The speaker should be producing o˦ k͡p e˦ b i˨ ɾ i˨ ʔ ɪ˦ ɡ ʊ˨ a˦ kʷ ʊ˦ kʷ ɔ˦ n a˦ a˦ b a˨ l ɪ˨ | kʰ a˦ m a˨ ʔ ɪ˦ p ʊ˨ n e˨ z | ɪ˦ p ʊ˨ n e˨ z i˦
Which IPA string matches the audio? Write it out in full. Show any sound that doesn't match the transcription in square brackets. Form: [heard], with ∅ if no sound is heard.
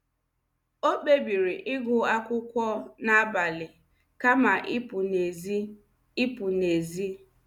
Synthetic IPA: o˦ k͡p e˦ b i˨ ɾ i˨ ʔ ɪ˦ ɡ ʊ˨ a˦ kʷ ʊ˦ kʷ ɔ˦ n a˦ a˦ b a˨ l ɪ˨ | [k] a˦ m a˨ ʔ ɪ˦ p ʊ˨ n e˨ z | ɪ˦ p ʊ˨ n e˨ z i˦